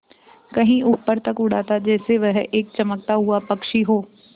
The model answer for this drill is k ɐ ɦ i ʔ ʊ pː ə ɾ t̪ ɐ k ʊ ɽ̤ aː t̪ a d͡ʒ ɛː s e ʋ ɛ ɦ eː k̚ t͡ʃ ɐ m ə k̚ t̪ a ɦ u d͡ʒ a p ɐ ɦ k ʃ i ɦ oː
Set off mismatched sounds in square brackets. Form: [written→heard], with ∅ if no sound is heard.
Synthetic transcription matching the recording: k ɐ ɦ [i→ĩ] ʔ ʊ pː ə ɾ t̪ ɐ k ʊ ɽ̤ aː t̪ a d͡ʒ ɛː s e ʋ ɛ ɦ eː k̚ t͡ʃ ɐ m ə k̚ t̪ a ɦ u [d͡ʒ→∅] a p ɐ [ɦ→∅] k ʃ i ɦ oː